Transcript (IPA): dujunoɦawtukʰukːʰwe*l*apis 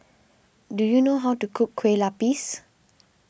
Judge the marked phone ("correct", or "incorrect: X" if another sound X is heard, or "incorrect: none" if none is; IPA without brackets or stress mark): correct